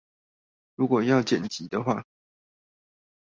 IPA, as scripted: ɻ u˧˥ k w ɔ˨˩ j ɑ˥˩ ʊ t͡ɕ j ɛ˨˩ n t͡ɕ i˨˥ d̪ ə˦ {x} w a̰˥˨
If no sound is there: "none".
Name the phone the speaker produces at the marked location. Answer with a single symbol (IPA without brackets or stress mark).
x